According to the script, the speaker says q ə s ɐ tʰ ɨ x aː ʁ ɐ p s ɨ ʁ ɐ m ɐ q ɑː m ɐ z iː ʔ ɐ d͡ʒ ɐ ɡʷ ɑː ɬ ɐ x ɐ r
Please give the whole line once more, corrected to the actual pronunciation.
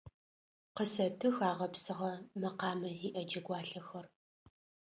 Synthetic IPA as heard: q ə s ɐ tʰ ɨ x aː ʁ ɐ p s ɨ ʁ ɐ m ɐ q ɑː m ɐ z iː ʔ ɐ d͡ʒ ɐ ɡʷ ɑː ɬ ɐ x ɐ r